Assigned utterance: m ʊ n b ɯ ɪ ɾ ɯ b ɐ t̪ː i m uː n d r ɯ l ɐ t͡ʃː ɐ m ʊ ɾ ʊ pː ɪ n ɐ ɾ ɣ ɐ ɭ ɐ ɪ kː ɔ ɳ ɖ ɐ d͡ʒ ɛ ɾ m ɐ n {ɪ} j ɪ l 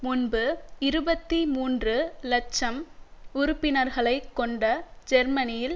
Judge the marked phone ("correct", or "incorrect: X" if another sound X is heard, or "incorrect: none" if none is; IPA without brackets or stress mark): correct